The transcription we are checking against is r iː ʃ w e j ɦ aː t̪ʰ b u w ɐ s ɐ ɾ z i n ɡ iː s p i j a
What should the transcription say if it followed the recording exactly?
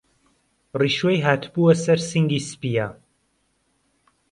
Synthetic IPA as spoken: r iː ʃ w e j ɦ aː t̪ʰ b u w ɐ s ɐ ɾ s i ŋ ɡ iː s p i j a